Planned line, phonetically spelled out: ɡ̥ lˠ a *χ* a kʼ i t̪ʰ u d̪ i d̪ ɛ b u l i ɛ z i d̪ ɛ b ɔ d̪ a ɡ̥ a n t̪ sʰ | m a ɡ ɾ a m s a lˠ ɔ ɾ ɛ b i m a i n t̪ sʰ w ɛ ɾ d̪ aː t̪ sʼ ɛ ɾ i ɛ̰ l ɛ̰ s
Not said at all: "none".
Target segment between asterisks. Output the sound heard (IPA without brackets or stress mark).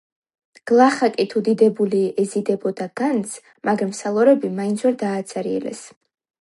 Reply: χ